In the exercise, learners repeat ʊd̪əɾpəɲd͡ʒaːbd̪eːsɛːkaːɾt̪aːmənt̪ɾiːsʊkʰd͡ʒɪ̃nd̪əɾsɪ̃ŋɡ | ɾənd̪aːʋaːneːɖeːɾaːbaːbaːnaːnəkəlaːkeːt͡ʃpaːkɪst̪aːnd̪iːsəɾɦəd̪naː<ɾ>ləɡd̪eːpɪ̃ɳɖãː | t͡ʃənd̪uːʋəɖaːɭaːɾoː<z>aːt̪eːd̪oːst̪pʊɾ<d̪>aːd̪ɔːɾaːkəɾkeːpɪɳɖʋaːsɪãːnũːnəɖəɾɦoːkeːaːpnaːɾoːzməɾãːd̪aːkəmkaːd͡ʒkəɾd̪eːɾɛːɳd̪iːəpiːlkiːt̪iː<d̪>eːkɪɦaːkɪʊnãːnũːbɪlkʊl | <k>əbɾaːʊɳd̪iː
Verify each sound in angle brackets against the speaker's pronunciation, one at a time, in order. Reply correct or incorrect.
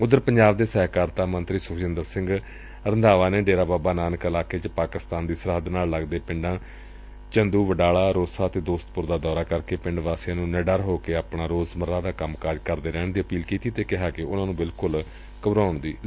incorrect, incorrect, correct, incorrect, correct

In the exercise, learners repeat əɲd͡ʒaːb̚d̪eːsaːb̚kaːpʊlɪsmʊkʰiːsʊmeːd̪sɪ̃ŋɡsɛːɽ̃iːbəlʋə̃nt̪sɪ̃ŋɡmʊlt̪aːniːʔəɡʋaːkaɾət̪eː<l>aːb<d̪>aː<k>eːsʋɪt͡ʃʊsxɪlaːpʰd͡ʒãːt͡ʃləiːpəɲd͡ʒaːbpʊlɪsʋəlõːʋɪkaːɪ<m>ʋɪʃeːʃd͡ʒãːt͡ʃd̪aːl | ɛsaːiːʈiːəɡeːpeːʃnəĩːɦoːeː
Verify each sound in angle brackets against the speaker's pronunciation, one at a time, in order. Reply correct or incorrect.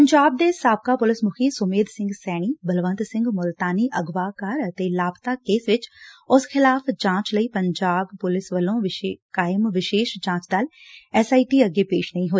correct, incorrect, correct, correct

